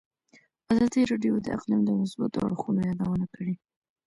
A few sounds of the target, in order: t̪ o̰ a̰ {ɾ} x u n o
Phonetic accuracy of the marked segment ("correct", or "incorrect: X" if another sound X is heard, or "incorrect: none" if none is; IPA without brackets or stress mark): incorrect: ɽ